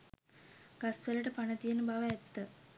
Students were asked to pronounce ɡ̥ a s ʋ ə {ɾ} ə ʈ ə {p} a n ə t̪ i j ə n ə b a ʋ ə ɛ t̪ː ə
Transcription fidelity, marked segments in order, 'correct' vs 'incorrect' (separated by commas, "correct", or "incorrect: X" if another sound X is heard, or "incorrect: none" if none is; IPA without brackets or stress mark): incorrect: l, correct